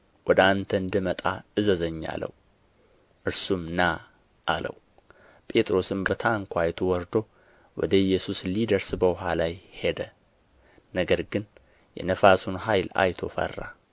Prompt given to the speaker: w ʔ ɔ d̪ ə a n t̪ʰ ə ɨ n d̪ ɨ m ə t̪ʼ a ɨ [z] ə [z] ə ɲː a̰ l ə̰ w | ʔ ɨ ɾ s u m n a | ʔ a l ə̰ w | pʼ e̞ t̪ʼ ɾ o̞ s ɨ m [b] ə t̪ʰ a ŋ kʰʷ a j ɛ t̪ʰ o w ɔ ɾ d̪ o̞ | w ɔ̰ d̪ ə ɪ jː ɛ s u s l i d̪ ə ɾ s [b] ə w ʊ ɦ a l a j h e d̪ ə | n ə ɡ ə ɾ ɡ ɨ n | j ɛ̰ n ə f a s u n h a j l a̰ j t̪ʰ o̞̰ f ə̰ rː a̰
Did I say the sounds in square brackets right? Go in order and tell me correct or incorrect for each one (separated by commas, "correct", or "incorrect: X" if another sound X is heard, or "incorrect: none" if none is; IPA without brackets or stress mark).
correct, correct, correct, correct